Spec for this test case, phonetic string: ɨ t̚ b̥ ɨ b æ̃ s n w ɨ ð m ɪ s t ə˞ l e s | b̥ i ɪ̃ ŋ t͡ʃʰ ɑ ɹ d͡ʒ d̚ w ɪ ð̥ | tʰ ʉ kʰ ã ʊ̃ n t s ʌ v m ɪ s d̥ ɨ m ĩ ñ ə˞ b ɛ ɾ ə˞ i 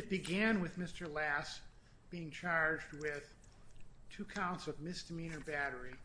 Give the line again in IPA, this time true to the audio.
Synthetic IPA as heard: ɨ t̚ b̥ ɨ ɡ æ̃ n w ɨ ð m ɪ s t ə˞ l æ s | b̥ i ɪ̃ ŋ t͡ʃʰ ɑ ɹ d͡ʒ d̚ w ɪ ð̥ | tʰ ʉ kʰ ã ʊ̃ n t s ʌ v m ɪ s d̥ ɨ m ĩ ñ ə˞ b æ ɾ ə˞ i